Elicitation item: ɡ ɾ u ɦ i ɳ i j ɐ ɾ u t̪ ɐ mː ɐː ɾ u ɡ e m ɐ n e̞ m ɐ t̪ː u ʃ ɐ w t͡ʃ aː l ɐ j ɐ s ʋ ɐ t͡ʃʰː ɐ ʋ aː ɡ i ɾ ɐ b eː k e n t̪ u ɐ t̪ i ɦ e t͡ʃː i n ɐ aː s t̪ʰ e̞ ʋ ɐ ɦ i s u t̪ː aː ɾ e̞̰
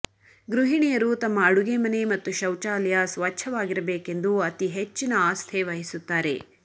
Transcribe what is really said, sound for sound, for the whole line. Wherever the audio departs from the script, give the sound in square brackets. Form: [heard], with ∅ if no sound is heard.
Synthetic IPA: ɡ ɾ u ɦ i ɳ i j ɐ ɾ u t̪ ɐ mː ɐː [ɽ] u ɡ e m ɐ n e̞ m ɐ t̪ː u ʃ ɐ w t͡ʃ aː l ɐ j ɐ s ʋ ɐ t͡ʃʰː ɐ ʋ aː ɡ i ɾ ɐ b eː k e n [d̪] u ɐ t̪ i ɦ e t͡ʃː i n ɐ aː s t̪ʰ e̞ ʋ ɐ ɦ i s u t̪ː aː ɾ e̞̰